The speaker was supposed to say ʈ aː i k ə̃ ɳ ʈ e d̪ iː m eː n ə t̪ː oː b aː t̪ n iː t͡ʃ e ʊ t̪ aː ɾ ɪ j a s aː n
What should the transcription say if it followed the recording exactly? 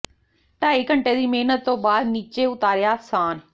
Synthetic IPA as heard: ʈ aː i k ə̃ ɳ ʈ e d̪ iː m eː n ə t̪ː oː b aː d̪ n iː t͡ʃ e ʊ t̪ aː ɾ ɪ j a s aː n